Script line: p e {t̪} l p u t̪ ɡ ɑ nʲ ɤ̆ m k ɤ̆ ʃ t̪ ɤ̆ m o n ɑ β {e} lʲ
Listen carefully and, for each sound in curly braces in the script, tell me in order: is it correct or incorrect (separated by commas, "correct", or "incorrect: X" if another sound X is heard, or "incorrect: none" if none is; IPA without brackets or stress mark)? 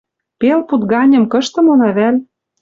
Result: incorrect: none, incorrect: æ